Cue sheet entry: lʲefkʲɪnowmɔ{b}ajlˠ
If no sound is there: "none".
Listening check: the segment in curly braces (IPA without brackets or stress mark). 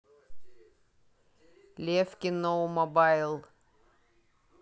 b